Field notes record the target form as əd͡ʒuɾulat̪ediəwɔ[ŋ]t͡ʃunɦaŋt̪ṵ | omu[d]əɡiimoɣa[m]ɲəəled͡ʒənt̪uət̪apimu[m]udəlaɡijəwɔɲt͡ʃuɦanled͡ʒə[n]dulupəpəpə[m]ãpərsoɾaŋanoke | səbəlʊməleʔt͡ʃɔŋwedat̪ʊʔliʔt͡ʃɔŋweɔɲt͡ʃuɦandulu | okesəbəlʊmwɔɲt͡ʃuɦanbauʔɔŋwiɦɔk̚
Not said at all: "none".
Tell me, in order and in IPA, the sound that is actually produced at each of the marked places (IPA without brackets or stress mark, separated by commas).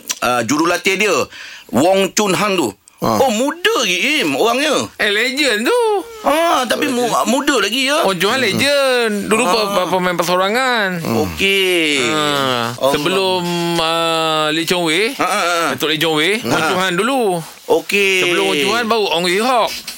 ŋ, d, ŋ, m, n, m